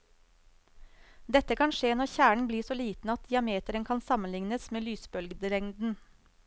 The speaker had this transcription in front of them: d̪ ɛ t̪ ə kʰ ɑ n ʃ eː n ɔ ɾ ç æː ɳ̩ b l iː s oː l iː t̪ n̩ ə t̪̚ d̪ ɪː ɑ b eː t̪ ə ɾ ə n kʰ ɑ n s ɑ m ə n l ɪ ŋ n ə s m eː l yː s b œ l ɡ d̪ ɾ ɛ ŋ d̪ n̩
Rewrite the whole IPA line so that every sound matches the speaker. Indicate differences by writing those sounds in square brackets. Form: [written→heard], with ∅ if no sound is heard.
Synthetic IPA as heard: d̪ ɛ t̪ ə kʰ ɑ n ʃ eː n ɔ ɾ ç æː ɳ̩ b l iː s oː l iː t̪ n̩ [ə→ɑ] t̪̚ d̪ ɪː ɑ [b→m] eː t̪ ə ɾ ə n kʰ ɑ n s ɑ m ə n l ɪ ŋ n ə s m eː l yː s b œ l ɡ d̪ ɾ ɛ ŋ d̪ n̩